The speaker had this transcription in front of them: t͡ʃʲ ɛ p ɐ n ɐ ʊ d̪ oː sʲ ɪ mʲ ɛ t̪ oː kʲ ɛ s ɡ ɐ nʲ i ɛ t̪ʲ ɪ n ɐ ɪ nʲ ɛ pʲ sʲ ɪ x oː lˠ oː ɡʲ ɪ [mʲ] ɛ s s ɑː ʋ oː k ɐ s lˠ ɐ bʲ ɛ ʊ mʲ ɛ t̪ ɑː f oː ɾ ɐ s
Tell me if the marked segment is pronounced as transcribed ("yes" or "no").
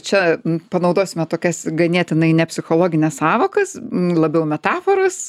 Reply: no